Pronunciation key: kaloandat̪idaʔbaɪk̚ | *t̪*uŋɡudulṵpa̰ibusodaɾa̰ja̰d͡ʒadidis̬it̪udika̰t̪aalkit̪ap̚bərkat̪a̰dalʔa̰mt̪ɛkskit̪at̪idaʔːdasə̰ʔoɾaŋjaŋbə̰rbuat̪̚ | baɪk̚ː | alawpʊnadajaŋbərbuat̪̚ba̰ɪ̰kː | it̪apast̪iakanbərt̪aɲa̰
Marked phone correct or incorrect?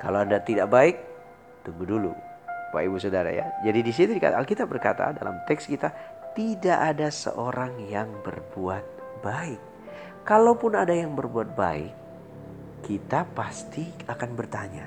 correct